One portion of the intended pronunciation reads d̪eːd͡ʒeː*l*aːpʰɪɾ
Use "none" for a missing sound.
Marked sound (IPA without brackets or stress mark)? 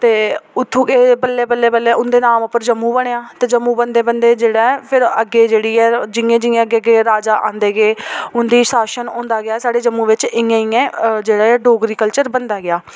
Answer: ɽ